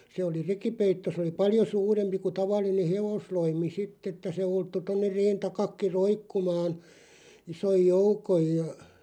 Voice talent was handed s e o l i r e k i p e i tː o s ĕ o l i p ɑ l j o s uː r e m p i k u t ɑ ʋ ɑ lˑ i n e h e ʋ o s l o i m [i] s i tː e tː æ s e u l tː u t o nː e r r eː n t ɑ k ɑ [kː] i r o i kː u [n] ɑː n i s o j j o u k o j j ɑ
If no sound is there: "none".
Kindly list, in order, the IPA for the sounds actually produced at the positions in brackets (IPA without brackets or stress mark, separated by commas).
i, kː, m